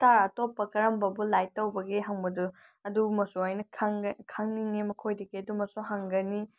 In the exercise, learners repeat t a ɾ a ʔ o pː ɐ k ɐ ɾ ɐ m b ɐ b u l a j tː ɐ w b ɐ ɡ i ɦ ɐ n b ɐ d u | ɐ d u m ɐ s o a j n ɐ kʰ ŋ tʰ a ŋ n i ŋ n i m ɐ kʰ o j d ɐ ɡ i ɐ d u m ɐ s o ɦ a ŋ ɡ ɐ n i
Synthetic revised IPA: t a ɾ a t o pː ɐ k ɐ ɾ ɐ m b ɐ b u l a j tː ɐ w b ɐ ɡ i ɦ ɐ ŋ b ɐ d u | ɐ d u m ɐ s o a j n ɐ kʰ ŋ kʰ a ŋ n i ŋ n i m ɐ kʰ o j d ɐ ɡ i ɐ d u m ɐ s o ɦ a ŋ ɡ ɐ n i